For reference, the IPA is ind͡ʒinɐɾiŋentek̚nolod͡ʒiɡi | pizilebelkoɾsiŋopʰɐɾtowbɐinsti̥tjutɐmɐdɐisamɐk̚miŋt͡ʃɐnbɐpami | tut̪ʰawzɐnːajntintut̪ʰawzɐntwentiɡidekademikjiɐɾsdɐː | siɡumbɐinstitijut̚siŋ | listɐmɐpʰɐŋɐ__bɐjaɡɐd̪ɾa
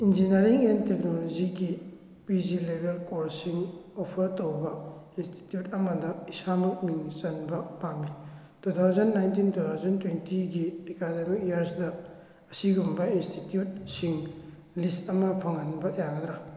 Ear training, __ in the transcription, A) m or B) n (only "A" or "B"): B